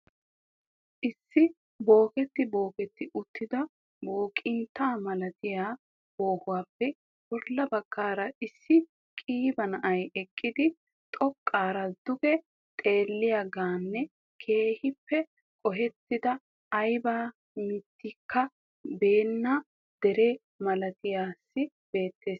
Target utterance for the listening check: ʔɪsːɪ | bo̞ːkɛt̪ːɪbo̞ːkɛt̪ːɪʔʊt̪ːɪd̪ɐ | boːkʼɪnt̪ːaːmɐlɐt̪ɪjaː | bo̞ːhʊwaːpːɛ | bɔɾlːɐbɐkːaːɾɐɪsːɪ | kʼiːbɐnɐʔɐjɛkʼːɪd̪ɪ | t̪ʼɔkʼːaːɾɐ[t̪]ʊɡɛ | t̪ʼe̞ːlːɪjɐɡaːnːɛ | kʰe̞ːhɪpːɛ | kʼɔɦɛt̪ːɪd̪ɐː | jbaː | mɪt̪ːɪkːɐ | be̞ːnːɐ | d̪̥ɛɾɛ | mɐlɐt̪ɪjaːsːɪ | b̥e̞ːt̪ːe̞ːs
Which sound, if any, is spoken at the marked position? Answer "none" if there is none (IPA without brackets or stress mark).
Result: d̪